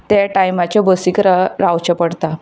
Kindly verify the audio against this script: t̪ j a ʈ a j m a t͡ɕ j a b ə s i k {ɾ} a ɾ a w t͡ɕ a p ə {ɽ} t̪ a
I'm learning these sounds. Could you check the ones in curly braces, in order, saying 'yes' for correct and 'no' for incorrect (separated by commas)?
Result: yes, yes